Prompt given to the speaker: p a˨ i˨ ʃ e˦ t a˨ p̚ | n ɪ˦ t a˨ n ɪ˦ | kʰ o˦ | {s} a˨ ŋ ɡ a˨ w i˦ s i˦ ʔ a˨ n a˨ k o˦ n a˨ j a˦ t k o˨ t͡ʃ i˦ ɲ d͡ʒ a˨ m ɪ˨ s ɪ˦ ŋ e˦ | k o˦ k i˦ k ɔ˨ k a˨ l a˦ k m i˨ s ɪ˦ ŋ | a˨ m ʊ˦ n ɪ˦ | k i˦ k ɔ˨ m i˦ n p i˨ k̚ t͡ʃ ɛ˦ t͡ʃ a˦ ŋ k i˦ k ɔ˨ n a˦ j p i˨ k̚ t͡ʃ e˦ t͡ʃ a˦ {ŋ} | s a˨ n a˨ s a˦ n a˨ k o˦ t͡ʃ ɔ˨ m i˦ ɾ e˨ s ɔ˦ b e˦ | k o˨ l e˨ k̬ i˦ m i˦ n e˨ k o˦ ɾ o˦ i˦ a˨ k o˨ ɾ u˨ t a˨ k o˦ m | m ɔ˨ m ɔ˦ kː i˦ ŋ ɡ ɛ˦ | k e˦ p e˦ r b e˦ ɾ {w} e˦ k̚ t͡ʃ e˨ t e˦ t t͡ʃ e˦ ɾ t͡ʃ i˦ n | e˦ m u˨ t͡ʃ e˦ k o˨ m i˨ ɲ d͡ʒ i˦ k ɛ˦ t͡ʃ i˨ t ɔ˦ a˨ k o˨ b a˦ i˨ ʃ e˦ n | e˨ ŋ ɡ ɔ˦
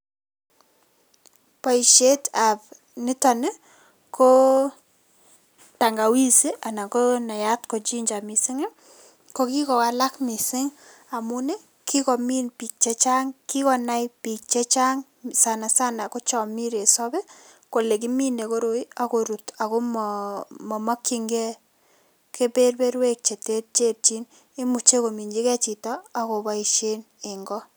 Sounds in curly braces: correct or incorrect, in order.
incorrect: t, correct, correct

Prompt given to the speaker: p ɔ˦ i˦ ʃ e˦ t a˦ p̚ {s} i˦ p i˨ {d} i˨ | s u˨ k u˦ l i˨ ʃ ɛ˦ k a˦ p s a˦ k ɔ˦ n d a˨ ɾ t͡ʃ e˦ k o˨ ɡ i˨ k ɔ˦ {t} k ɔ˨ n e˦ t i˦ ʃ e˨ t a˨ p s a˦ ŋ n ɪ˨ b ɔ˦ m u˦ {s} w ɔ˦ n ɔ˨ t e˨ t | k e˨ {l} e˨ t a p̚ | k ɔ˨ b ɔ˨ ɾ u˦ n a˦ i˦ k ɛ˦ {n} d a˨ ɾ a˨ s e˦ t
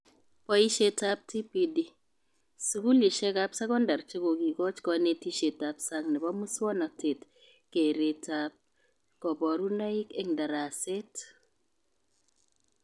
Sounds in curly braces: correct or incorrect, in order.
incorrect: t, correct, incorrect: t͡ʃ, correct, incorrect: ɾ, incorrect: ŋ

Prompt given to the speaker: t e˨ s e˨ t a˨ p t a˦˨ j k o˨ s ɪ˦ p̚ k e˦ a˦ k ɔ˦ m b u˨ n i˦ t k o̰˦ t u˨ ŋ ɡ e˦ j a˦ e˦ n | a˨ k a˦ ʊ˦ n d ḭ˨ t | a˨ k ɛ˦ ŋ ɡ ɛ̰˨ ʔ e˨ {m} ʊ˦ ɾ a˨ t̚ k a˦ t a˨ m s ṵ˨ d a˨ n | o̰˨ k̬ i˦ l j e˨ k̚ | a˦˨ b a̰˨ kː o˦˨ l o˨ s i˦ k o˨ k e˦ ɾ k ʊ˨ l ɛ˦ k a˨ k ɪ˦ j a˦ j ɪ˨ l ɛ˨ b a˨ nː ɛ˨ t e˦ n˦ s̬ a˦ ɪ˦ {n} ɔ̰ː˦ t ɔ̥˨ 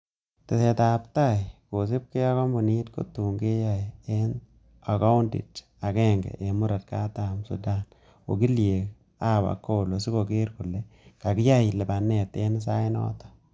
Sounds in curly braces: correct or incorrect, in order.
correct, correct

